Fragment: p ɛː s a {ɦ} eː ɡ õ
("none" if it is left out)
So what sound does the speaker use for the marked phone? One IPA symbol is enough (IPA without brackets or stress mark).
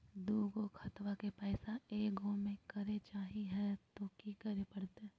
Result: none